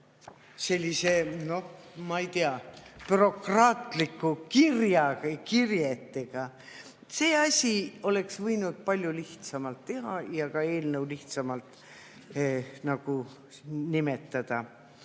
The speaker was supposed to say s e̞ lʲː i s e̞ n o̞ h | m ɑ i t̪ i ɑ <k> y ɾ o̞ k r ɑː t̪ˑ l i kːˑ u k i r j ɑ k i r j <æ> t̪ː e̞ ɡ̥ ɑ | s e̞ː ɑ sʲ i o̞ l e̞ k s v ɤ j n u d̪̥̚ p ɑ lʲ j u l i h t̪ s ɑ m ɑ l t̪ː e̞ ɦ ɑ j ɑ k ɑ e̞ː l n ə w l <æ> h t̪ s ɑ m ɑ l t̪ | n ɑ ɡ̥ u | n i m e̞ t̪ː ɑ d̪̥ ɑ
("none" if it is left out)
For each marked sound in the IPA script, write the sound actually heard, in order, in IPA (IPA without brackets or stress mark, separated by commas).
p, e, i